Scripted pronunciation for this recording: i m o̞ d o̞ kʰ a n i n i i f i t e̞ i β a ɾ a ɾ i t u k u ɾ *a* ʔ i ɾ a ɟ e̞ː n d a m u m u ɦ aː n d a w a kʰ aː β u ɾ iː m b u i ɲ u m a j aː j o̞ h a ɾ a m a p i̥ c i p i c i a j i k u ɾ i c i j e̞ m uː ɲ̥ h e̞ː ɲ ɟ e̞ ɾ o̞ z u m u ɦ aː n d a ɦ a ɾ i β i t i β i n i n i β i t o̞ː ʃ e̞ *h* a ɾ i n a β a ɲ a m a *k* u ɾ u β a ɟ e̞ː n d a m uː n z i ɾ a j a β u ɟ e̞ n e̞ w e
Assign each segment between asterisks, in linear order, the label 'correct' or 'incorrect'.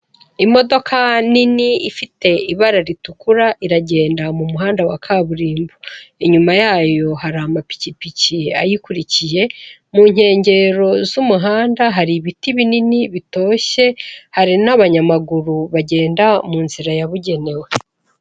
correct, correct, incorrect

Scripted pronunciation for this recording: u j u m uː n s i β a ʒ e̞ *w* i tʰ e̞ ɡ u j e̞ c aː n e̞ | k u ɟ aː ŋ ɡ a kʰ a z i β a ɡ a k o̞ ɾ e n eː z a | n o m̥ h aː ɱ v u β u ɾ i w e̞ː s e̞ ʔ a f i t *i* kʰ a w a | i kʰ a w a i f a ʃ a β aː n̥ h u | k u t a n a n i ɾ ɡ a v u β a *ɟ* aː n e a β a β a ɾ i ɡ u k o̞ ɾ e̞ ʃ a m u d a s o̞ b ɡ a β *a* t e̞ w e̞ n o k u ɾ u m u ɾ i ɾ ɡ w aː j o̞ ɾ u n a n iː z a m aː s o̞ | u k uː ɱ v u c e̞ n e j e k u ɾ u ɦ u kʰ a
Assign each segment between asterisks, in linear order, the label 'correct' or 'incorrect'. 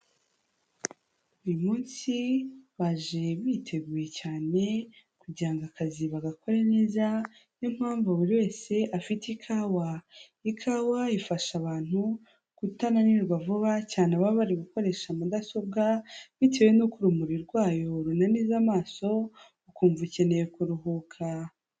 incorrect, correct, incorrect, incorrect

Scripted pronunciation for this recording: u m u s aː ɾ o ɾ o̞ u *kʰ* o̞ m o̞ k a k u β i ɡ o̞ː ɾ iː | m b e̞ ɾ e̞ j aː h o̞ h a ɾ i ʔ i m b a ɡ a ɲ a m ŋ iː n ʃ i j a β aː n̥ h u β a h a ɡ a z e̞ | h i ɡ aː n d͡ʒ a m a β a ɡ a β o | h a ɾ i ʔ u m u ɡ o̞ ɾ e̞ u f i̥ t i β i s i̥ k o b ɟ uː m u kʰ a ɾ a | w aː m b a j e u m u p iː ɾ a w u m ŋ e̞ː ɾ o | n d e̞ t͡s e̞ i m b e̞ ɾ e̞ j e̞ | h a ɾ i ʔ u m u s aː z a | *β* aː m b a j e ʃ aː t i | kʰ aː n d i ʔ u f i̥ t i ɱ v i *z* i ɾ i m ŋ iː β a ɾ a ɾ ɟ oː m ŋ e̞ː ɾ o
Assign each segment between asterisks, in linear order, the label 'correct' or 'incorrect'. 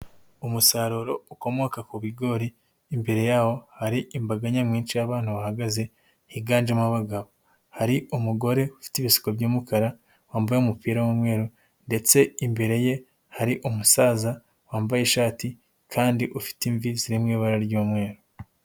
incorrect, incorrect, correct

